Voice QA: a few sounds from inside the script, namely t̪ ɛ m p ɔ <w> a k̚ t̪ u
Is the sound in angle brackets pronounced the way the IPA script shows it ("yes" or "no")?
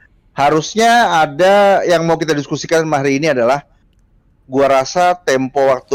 yes